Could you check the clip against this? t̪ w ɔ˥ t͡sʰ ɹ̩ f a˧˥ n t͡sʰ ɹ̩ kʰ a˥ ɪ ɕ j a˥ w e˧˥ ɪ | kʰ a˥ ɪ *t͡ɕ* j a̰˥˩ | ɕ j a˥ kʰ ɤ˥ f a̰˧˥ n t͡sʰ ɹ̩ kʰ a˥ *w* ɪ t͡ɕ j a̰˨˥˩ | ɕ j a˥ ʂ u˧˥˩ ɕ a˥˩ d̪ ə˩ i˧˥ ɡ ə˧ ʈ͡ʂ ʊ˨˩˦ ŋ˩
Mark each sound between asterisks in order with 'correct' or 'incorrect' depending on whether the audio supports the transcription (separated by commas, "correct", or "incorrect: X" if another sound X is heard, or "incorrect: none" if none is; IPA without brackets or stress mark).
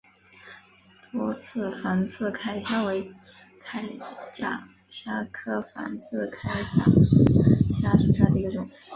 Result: correct, incorrect: none